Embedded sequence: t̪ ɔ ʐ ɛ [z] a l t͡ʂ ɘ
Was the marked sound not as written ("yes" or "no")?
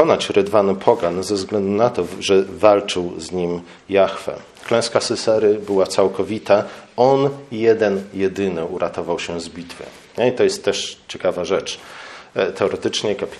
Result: yes